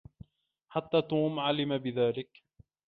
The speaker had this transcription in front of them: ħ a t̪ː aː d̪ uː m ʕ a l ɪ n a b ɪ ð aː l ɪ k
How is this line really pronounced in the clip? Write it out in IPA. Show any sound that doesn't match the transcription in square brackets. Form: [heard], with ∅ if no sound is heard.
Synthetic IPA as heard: ħ a t̪ː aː [t̪] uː m ʕ a l ɪ [m] a b ɪ ð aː l ɪ k